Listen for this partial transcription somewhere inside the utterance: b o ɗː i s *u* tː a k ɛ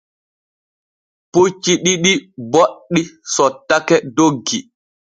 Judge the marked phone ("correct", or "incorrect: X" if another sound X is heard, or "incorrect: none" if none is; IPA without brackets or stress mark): incorrect: ɔ